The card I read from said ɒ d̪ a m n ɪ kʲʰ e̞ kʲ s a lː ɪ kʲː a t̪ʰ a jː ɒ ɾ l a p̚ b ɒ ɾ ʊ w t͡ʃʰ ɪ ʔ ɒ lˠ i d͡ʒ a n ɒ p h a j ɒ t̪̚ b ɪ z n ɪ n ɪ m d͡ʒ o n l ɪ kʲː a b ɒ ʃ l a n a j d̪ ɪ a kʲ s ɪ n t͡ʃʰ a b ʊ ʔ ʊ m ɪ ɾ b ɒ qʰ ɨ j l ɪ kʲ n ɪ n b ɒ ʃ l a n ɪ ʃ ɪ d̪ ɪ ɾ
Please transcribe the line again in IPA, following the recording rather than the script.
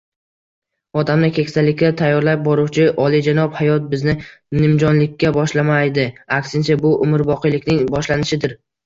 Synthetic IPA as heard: ɒ d̪ a m n ɪ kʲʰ e̞ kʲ s a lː ɪ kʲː a t̪ʰ a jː ɒ ɾ l a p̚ b ɒ ɾ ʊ w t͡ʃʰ ɪ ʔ ɒ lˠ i d͡ʒ a n ɒ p h a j ɒ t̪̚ b ɪ z n ɪ n ɪ m d͡ʒ ɒ n l ɪ kʲː a b ɒ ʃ l a m a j d̪ ɪ a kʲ s ɪ n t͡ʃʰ a b ʊ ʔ ʊ m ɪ ɾ b ɒ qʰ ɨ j l ɪ kʲ n ɪ ŋ b ɒ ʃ l a n ɪ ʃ ɪ d̪ ɪ ɾ